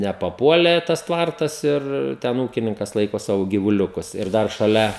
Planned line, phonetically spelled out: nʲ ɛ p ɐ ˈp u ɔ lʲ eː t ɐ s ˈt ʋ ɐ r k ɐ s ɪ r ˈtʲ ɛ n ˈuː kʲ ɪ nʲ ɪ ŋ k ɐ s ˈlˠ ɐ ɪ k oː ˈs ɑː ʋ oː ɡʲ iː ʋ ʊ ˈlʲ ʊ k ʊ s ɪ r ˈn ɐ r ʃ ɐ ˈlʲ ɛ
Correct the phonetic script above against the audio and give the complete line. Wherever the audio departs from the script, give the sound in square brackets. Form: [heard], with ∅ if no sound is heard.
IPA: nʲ ɛ p ɐ ˈp u ɔ lʲ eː t ɐ s ˈt ʋ ɐ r [t] ɐ s ɪ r ˈtʲ ɛ n ˈuː kʲ ɪ nʲ ɪ ŋ k ɐ s ˈlˠ ɐ ɪ k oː ˈs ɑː ʋ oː ɡʲ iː ʋ ʊ ˈlʲ ʊ k ʊ s ɪ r [ˈd] ɐ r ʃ ɐ ˈlʲ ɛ